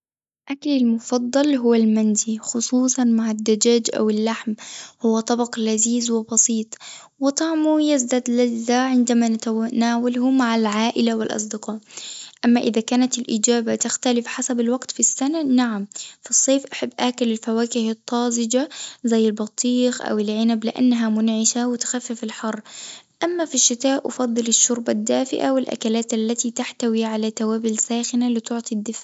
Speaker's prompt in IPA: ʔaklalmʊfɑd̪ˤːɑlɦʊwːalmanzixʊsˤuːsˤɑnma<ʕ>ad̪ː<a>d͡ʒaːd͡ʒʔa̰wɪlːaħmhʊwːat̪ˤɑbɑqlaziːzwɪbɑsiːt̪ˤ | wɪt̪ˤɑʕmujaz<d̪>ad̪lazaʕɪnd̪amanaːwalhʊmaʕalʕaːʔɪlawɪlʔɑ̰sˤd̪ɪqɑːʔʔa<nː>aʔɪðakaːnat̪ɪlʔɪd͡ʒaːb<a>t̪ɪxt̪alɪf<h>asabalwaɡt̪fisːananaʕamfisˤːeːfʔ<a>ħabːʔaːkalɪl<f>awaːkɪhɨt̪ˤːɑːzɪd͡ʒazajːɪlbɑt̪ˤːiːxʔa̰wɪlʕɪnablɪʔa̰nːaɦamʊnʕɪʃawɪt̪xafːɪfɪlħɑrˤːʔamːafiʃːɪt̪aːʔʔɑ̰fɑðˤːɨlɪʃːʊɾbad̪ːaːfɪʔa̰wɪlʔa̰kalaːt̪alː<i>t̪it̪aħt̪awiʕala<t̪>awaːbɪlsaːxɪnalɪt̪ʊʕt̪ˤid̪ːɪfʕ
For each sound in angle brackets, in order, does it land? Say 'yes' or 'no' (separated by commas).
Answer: yes, yes, yes, no, yes, no, yes, yes, no, yes